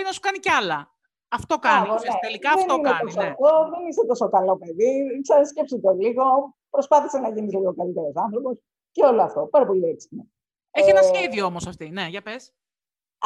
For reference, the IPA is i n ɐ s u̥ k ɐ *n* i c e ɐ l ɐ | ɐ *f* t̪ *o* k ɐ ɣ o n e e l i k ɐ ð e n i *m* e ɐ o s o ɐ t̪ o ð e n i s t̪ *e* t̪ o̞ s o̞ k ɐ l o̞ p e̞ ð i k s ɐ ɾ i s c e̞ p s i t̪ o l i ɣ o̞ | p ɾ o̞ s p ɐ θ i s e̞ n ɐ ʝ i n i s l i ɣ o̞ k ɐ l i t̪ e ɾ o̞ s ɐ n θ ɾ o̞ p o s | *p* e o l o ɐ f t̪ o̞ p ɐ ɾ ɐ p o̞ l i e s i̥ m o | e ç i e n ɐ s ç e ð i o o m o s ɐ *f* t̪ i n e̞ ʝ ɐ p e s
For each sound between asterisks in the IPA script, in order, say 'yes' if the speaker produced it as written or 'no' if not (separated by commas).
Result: yes, yes, yes, no, yes, no, yes